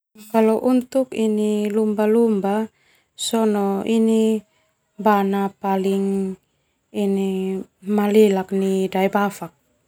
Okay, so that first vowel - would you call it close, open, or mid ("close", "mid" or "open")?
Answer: open